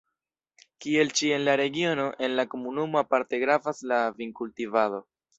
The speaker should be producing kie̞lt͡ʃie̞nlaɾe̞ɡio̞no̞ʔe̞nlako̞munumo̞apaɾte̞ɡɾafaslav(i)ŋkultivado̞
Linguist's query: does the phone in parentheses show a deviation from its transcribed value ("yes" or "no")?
no